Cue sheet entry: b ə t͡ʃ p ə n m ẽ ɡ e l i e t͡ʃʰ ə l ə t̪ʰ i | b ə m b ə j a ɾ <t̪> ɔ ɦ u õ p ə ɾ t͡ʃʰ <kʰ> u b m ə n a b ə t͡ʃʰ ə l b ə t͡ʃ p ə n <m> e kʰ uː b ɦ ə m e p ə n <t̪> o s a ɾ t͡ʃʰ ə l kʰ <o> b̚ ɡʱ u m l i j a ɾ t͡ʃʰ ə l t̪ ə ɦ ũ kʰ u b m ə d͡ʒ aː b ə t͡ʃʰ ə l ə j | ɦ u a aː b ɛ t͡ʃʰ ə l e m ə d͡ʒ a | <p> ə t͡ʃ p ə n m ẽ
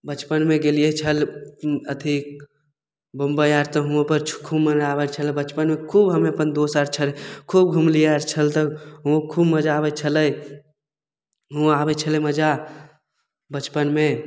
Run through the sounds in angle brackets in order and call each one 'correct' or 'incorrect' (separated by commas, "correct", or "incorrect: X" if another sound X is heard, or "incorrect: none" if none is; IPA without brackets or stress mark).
correct, correct, correct, incorrect: d̪, incorrect: u, incorrect: b